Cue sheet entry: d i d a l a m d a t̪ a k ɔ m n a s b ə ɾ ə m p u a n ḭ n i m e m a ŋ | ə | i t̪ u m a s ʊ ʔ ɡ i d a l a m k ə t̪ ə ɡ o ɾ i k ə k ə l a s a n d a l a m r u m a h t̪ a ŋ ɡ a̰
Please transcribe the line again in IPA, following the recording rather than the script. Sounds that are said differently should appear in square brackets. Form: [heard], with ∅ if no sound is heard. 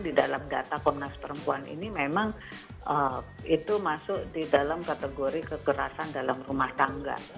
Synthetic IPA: d i d a l a m d a t̪ a k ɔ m n a s [p] ə ɾ ə m p u a n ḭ n i m e m a ŋ | ə | i t̪ u m a s ʊ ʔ [d] i d a l a m k [a] t̪ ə ɡ o ɾ i k ə k ə [ɾ] a s a n d a l a m r u m a h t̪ a ŋ ɡ a̰